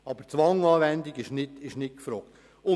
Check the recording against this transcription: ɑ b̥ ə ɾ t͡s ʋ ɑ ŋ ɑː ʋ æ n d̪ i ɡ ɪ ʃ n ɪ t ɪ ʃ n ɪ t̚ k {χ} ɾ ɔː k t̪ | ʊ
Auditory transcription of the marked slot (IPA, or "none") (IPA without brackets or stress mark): f